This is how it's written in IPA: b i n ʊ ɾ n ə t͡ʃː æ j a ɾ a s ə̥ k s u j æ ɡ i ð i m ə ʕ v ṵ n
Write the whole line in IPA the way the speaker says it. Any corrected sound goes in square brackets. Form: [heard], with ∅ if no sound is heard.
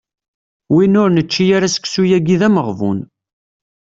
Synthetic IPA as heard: [w] i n ʊ ɾ n ə t͡ʃː [i] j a ɾ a s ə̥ k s u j æ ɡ i ð [æ] m ə [ʁ] v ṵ n